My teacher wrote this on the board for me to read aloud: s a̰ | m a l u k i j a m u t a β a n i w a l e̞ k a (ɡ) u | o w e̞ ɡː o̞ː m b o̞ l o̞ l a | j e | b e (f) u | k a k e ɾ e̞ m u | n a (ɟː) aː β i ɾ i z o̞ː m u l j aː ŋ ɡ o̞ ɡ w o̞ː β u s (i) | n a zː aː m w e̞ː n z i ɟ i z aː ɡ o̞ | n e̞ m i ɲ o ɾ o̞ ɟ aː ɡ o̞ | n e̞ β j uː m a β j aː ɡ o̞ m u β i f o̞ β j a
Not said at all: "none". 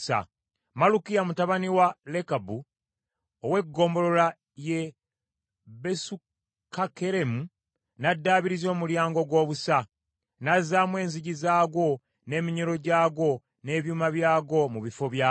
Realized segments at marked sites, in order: b, s, dː, a

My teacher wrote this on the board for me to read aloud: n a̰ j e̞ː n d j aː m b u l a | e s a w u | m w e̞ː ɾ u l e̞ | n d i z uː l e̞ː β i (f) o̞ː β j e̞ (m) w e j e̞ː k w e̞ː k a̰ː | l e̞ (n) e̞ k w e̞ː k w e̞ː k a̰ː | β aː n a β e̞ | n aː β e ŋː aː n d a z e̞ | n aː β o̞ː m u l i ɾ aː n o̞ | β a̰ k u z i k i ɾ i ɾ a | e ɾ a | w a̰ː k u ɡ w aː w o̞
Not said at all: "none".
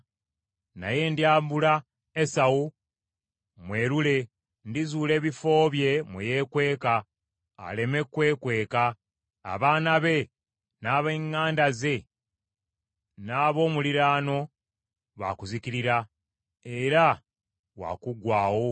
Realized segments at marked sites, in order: f, m, m

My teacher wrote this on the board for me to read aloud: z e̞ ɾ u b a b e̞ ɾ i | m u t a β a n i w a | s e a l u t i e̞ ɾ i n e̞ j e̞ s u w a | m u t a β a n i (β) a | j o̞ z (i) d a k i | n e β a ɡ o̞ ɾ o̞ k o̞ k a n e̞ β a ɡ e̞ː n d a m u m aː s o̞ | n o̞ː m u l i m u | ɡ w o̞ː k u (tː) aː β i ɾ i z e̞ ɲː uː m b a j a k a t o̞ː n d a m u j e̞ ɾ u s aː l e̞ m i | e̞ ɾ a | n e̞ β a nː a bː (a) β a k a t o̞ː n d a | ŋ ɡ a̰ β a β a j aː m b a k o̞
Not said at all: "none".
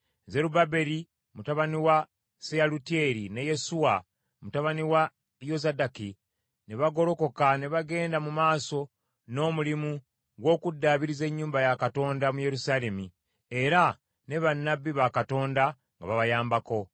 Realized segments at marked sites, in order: w, a, dː, i

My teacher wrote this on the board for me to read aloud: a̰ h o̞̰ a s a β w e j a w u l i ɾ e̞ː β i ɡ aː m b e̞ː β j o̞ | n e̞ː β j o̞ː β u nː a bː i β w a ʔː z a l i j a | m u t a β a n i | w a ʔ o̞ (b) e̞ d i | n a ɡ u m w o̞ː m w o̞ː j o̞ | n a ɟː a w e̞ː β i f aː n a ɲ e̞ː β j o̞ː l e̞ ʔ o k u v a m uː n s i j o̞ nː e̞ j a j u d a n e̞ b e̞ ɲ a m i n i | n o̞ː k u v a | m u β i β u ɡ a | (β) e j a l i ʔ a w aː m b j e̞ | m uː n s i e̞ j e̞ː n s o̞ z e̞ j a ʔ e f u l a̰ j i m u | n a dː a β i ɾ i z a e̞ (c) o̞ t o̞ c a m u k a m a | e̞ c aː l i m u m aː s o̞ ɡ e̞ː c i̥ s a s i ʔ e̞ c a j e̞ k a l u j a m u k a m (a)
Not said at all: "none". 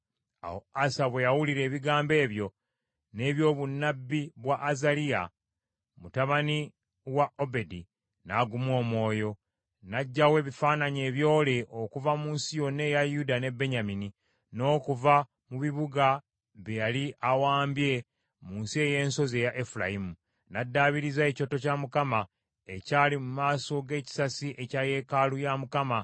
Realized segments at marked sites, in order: b, β, c, a

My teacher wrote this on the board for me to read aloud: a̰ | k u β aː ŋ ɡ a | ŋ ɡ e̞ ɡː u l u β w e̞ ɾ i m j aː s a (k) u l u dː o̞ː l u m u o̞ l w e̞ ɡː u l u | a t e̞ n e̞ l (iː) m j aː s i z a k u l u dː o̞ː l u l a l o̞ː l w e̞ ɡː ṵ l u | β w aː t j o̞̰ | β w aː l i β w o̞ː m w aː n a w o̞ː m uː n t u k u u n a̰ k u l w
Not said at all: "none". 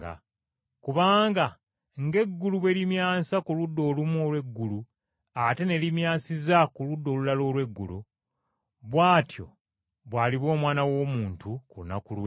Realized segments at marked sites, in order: k, i

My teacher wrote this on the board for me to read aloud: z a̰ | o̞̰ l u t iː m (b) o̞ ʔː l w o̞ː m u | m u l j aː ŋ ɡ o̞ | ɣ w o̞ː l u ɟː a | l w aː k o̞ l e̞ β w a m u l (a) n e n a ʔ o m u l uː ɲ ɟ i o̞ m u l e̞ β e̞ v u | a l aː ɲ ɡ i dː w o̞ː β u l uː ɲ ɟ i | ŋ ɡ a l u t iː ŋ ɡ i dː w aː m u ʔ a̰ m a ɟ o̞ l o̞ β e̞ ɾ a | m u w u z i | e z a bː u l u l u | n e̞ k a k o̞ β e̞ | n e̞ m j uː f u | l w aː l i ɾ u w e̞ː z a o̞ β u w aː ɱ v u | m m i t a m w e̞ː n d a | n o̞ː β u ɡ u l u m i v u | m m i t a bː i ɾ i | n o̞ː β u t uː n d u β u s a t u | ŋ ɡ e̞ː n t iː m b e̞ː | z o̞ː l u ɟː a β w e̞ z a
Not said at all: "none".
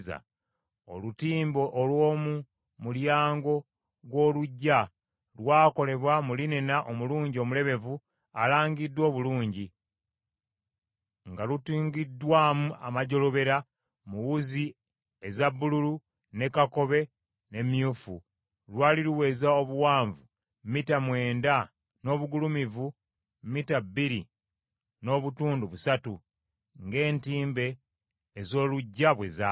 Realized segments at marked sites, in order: b, i

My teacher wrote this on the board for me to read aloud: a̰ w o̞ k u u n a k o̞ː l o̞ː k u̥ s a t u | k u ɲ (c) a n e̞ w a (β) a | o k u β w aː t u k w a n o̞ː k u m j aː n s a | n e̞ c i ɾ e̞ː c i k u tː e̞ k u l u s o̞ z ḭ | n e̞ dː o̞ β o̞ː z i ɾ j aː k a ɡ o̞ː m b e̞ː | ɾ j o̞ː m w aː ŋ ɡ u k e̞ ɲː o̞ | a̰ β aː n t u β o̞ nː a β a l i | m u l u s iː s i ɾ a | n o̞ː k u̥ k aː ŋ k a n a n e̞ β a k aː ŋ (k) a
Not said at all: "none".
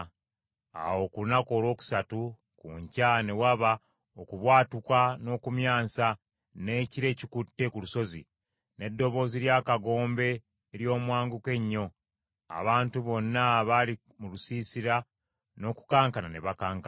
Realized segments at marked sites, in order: c, β, k

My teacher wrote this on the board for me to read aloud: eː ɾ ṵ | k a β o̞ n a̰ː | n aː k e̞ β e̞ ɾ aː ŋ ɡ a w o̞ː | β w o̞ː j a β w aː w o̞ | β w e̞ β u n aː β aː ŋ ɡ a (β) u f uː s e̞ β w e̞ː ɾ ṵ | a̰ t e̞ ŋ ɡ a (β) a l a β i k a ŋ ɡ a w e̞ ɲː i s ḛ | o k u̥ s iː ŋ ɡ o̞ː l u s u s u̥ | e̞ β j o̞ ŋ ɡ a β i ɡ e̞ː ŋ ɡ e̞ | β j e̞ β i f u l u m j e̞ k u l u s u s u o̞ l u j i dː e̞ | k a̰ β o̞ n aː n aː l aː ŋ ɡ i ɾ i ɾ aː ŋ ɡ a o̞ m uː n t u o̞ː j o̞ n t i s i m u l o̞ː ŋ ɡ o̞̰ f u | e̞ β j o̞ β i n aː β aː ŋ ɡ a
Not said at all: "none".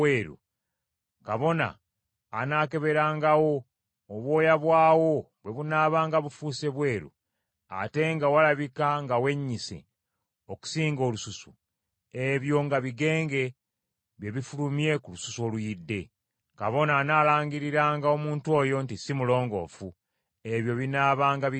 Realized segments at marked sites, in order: β, w

